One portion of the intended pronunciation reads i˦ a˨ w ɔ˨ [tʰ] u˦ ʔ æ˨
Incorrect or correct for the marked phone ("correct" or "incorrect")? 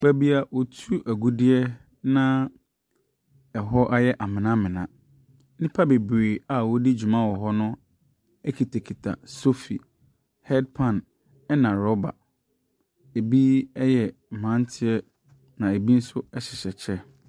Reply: correct